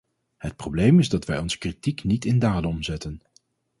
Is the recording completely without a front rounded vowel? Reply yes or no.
yes